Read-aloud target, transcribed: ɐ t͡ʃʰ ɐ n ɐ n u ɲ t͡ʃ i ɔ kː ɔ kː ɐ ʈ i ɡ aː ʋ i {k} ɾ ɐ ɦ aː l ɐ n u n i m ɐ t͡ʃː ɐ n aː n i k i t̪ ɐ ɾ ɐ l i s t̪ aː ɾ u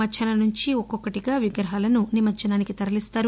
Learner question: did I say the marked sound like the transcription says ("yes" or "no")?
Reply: no